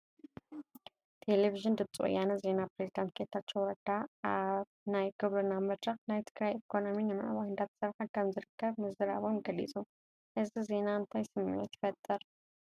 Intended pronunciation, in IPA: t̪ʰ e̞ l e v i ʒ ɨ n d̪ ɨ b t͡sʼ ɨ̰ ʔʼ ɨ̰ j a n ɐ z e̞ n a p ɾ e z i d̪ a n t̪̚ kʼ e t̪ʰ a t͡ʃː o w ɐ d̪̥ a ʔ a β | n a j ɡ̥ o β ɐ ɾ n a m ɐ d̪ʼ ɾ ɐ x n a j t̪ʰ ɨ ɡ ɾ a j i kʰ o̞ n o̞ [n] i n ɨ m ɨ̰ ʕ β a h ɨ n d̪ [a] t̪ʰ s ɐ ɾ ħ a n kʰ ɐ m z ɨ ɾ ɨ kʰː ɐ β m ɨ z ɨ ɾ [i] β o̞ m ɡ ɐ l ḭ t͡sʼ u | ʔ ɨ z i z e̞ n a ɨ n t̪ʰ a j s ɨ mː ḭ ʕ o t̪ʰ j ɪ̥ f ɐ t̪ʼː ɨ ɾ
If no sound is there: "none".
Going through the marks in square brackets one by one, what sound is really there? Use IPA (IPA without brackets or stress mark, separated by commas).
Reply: m, a, a